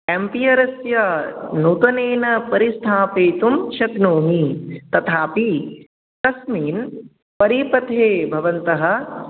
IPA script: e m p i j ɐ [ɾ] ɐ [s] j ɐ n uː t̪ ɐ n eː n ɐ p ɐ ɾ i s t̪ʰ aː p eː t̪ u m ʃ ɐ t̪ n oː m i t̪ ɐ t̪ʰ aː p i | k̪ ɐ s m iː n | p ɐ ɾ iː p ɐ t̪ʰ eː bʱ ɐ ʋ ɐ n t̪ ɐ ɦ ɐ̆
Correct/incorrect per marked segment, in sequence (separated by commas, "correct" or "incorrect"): correct, correct